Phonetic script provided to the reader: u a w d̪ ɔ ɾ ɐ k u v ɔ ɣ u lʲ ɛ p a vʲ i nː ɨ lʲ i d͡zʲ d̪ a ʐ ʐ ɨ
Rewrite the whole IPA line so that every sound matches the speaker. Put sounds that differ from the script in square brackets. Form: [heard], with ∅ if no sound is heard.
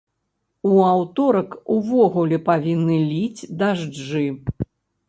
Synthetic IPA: u a w [t̪] ɔ ɾ ɐ k u v ɔ ɣ u lʲ ɛ p a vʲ i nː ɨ lʲ i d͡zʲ d̪ a ʐ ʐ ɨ